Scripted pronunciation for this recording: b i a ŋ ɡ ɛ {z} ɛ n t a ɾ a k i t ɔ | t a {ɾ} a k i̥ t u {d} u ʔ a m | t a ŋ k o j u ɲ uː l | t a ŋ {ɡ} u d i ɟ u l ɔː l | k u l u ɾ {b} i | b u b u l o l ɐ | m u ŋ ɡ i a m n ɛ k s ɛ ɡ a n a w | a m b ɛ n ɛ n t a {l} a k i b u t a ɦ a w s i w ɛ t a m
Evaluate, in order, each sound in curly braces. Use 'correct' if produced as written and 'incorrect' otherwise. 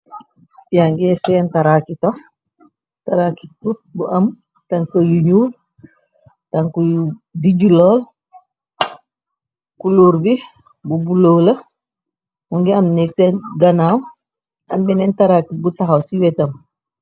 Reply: incorrect: s, correct, incorrect: b, incorrect: k, correct, incorrect: ɾ

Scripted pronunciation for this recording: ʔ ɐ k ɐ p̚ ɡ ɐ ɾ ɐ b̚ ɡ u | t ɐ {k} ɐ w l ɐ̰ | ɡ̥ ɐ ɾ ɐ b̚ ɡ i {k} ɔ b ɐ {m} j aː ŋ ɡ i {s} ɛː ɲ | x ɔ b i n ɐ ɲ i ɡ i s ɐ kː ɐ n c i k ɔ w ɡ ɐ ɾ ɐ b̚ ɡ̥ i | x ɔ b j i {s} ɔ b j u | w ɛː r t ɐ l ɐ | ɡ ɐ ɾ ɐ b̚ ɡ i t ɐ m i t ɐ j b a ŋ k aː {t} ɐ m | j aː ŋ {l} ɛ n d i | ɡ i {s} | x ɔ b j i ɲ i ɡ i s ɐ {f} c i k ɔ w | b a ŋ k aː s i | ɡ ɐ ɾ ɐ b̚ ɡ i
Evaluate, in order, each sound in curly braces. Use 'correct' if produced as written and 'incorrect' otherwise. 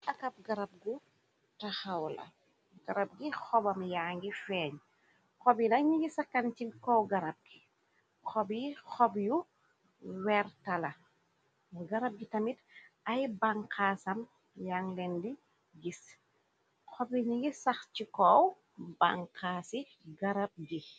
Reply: incorrect: x, incorrect: x, correct, incorrect: f, incorrect: x, incorrect: s, correct, correct, incorrect: x

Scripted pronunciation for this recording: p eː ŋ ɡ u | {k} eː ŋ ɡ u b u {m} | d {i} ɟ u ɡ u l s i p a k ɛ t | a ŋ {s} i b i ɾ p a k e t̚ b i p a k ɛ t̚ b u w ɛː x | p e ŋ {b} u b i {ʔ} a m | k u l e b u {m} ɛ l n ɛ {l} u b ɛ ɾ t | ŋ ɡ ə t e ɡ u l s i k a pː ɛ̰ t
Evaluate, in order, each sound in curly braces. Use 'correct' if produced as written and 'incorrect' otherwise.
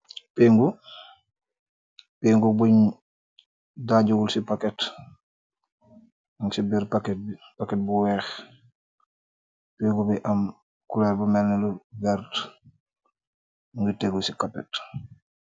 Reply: incorrect: p, incorrect: ɲ, incorrect: a, correct, incorrect: ɡ, correct, correct, correct

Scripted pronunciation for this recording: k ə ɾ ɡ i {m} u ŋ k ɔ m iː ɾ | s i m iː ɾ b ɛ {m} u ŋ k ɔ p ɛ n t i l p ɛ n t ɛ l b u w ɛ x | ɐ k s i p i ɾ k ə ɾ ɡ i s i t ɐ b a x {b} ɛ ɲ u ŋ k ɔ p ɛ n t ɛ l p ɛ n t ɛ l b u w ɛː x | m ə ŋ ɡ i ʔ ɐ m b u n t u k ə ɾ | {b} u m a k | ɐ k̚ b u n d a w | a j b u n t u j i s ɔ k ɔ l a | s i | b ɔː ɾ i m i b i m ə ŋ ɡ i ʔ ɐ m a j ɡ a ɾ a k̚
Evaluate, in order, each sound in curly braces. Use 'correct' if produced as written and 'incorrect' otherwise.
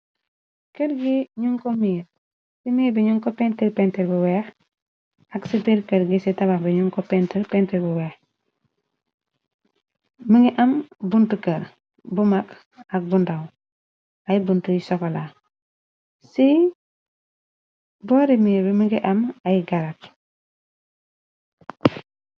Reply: incorrect: ɲ, incorrect: ɲ, correct, correct

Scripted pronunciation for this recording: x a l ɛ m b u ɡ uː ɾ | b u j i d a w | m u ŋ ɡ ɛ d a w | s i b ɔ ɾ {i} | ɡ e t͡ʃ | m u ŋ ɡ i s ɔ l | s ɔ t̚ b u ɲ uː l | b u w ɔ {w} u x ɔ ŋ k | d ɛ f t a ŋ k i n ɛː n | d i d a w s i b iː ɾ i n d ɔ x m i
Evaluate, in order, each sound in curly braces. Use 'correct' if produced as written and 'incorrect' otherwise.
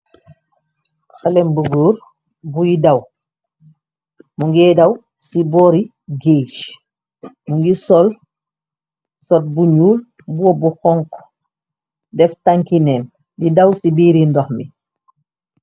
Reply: correct, incorrect: b

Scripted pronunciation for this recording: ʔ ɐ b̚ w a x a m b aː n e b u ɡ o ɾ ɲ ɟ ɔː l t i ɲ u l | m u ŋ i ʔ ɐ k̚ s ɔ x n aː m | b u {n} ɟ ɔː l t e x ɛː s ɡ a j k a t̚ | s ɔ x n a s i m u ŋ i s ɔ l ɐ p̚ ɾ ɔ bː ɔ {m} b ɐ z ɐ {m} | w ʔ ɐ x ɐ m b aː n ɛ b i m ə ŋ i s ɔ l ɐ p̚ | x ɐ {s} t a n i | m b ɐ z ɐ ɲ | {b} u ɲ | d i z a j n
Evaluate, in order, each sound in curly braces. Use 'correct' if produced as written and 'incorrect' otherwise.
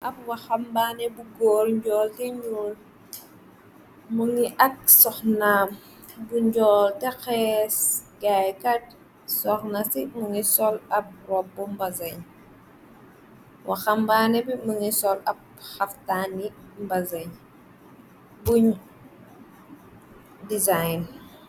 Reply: incorrect: ɲ, correct, incorrect: ɲ, incorrect: f, correct

